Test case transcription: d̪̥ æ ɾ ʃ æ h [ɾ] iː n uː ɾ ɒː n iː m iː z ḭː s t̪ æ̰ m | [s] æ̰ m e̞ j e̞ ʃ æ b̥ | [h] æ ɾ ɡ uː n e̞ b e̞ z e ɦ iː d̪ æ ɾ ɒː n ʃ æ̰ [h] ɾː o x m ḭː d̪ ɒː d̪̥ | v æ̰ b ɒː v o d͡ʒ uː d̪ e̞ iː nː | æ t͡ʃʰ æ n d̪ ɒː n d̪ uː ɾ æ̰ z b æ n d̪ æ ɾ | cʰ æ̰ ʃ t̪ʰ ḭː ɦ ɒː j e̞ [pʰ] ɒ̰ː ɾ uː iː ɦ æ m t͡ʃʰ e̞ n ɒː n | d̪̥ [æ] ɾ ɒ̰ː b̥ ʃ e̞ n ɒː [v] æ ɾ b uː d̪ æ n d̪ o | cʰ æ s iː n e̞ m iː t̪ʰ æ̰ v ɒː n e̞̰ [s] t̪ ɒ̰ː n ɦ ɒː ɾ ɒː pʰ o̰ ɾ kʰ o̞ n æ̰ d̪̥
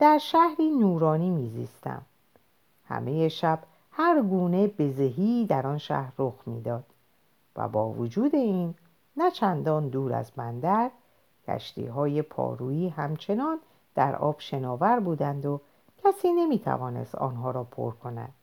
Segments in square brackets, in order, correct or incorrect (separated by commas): correct, incorrect, correct, correct, correct, correct, correct, correct